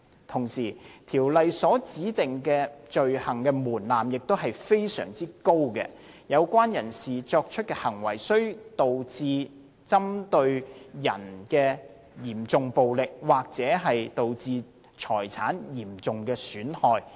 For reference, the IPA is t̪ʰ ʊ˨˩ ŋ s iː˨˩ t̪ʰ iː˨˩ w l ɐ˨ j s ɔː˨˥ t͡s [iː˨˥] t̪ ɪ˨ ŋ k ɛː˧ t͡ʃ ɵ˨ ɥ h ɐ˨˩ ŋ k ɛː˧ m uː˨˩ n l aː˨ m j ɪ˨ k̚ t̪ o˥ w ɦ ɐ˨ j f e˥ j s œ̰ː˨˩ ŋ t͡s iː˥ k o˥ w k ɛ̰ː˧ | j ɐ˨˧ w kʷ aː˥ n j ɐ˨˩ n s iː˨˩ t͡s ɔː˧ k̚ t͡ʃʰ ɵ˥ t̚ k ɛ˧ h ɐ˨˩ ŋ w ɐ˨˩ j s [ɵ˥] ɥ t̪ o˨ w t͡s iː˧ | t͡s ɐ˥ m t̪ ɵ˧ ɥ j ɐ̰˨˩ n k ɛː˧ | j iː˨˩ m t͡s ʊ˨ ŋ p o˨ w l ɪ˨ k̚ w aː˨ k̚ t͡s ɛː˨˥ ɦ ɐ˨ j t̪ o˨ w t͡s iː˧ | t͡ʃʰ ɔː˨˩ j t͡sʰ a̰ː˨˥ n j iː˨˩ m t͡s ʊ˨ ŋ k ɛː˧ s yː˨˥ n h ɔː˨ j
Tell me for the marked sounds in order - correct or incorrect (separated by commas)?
correct, correct